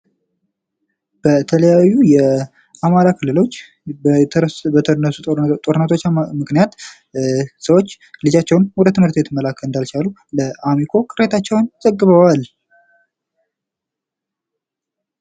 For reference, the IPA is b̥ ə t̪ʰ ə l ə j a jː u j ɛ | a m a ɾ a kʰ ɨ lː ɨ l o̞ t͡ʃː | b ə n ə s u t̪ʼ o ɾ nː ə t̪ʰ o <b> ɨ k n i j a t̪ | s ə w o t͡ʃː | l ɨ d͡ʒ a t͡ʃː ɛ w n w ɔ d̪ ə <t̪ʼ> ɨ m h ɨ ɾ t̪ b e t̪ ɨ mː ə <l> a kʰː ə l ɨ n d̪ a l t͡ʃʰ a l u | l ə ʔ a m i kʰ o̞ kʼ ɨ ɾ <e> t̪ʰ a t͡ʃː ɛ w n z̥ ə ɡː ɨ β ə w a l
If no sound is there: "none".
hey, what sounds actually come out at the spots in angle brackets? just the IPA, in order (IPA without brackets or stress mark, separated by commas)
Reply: m, t̪, l, e